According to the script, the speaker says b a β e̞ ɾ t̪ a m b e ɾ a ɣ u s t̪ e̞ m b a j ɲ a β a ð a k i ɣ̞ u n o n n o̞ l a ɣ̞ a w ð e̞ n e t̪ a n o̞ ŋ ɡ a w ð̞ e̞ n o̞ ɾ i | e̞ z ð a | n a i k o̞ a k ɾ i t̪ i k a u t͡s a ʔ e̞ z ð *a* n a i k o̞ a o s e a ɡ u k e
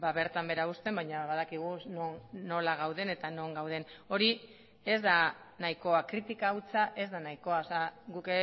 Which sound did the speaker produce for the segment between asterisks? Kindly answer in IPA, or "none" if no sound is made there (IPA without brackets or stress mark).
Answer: a